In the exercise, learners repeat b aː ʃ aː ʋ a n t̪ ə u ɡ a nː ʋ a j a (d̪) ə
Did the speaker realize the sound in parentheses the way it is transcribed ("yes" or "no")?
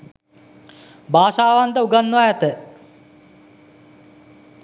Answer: no